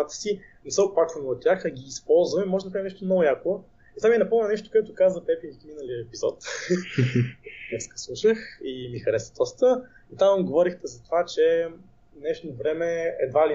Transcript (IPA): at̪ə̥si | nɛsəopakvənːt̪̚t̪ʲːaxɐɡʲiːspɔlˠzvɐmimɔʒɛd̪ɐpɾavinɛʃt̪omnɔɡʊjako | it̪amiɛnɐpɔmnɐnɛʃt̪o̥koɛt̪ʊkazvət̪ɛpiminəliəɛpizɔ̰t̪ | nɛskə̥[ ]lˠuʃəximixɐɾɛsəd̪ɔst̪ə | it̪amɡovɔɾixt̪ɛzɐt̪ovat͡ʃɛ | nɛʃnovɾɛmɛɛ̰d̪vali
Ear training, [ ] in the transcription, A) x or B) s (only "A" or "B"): B